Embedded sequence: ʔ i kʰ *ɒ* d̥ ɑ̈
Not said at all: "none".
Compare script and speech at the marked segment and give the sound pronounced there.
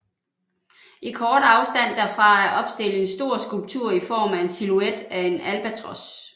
ɒː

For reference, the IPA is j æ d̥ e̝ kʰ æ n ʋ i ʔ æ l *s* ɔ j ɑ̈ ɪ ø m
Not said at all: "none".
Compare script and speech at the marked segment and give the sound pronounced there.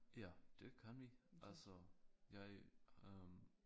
s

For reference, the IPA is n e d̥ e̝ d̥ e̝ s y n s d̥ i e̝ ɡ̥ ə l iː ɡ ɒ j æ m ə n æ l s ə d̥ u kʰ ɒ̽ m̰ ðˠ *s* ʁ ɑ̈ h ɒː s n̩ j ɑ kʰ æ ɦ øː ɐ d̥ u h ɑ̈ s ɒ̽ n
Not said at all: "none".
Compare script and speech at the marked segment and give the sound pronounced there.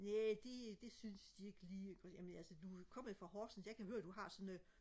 f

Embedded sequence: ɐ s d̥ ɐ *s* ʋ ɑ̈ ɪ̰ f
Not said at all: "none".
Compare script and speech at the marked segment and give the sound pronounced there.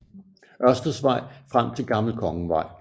s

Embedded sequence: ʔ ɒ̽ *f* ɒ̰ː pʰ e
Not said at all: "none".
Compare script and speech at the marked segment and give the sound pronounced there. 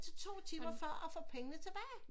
f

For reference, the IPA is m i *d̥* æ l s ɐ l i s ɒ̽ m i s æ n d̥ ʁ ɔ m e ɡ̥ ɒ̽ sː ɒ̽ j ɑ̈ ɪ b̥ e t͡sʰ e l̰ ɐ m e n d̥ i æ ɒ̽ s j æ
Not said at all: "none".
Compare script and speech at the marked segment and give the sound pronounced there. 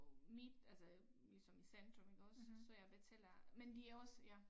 d̥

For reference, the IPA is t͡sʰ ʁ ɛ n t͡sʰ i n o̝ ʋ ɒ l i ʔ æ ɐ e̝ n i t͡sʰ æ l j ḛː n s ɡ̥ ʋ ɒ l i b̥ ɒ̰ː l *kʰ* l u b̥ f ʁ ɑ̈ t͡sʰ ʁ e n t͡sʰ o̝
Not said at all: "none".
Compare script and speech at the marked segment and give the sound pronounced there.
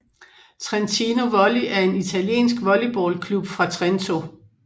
kʰ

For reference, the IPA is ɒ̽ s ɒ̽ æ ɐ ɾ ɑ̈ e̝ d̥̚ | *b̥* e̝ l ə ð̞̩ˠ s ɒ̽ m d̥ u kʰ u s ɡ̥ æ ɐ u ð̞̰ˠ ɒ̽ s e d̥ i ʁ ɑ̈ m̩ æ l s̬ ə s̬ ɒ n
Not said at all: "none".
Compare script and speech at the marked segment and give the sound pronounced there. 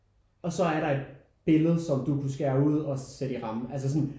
b̥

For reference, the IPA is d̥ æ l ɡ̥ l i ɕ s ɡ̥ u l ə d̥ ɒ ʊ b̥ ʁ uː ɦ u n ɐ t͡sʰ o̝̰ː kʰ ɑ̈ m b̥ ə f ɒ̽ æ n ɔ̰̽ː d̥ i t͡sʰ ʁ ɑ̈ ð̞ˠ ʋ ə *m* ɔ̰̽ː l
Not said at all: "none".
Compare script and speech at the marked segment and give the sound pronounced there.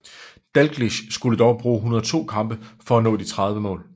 m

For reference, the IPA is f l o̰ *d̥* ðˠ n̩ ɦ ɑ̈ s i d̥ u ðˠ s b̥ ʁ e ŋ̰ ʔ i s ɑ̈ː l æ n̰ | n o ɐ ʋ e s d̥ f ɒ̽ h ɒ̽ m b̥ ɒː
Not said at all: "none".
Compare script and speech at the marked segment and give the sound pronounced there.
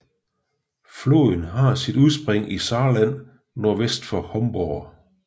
none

